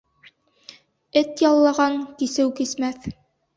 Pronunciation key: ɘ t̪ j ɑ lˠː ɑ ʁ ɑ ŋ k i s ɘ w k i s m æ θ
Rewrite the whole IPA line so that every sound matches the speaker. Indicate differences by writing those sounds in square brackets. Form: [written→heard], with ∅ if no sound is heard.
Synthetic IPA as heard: ɘ t̪ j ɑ lˠː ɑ ʁ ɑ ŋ k i s ɘ w k i s m æ θ